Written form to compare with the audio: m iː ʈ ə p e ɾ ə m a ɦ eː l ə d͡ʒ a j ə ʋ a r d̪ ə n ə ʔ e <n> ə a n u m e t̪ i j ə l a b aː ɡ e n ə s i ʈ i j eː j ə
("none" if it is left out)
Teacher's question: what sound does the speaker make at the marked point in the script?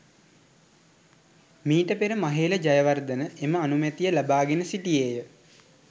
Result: m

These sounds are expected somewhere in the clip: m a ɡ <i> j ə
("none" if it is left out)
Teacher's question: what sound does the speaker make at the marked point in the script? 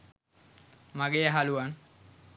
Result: e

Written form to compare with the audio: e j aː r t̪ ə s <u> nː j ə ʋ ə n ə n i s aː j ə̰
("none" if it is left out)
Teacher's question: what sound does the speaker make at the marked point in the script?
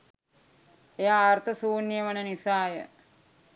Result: uː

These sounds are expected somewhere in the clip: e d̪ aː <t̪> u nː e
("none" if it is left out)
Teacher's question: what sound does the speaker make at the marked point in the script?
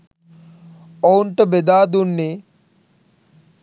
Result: d̪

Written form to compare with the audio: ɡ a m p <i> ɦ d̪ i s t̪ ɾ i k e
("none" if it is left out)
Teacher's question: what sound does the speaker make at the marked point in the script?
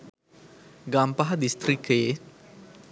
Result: a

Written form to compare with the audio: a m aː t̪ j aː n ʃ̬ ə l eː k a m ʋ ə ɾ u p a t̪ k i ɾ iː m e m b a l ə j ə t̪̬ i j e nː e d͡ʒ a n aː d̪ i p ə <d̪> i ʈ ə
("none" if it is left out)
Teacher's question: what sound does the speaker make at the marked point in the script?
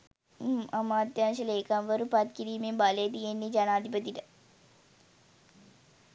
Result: t̪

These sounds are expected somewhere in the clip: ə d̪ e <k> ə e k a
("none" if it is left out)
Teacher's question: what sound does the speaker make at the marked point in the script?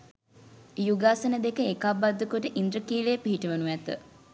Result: k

